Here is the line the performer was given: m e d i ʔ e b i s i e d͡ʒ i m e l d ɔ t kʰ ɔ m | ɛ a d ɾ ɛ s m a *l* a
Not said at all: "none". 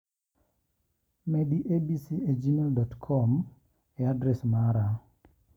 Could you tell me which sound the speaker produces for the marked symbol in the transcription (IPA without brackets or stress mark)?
ɾ